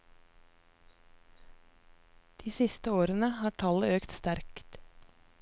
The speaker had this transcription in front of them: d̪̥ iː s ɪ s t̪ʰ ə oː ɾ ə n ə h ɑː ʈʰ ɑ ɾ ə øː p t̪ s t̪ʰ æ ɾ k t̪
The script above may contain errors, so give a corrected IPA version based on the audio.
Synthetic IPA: d̪̥ iː s ɪ s t̪ ə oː ɾ ə n ə h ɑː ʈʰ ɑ l ə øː k t̪ s t̪ æ ɾ k t̪